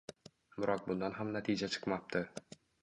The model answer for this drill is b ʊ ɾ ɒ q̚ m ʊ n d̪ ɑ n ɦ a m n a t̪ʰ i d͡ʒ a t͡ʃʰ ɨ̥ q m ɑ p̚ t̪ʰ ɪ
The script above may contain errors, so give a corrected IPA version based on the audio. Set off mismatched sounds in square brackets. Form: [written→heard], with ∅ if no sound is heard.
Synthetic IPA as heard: b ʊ ɾ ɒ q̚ [m→b] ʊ n d̪ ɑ n ɦ a m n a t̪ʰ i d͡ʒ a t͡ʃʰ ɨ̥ q m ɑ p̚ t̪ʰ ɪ